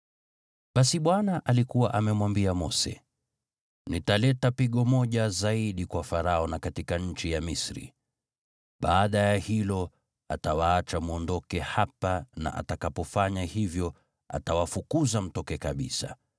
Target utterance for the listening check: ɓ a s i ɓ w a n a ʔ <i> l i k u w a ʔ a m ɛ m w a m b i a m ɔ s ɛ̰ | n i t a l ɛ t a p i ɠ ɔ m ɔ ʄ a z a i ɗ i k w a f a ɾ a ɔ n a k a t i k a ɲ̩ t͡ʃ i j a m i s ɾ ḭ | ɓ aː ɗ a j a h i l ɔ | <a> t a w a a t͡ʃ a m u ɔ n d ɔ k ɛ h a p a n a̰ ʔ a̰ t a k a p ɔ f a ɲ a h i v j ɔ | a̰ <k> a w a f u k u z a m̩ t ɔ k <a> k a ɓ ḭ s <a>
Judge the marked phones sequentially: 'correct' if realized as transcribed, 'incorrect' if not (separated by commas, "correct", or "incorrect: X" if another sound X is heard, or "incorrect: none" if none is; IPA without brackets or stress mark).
incorrect: a, correct, incorrect: t, incorrect: ɛ, correct